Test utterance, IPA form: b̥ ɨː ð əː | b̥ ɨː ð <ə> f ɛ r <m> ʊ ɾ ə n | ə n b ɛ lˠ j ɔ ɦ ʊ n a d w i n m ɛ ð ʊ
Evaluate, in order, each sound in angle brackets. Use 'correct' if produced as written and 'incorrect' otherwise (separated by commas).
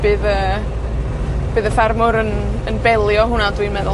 correct, correct